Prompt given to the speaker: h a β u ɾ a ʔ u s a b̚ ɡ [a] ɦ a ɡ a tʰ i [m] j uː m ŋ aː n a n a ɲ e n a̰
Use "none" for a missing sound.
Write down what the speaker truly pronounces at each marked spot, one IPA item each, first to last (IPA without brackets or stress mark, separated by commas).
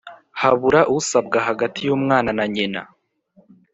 a, none